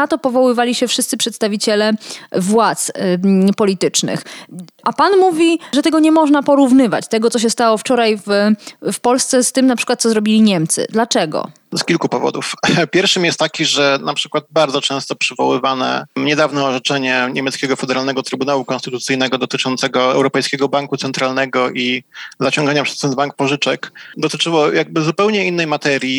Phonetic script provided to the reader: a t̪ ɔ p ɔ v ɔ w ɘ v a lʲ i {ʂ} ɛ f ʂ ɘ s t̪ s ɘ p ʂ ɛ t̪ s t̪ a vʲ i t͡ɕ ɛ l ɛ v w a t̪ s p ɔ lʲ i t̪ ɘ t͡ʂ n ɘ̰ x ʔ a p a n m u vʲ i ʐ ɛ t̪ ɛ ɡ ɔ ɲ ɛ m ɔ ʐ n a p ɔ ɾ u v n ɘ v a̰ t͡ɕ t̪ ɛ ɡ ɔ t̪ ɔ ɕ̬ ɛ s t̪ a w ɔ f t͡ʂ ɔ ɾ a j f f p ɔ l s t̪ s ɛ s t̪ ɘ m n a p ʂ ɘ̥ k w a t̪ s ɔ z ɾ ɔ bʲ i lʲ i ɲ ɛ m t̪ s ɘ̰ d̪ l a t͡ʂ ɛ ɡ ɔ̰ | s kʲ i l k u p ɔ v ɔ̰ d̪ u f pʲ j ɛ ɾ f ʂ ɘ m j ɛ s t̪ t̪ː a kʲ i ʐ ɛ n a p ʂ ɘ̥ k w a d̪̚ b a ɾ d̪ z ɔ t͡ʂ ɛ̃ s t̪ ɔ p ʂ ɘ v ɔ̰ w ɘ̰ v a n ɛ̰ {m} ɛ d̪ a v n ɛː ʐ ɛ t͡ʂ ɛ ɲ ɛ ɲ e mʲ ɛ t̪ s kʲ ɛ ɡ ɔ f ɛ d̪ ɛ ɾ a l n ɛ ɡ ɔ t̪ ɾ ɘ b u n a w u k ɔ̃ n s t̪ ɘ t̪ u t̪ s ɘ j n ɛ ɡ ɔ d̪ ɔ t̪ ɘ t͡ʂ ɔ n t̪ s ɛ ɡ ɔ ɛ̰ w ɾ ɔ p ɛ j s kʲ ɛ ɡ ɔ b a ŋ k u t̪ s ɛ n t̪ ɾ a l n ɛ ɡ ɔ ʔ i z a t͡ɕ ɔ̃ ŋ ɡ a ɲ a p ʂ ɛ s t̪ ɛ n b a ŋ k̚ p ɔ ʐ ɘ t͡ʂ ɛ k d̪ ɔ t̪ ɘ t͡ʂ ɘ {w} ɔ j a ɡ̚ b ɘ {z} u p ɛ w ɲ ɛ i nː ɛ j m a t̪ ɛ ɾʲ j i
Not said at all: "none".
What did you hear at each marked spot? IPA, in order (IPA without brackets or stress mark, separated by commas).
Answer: ɕ, ɲ, w, z